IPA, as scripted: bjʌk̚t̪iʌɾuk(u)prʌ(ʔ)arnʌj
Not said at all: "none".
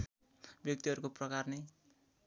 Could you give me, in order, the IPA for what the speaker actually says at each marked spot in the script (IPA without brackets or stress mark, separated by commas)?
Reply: o, k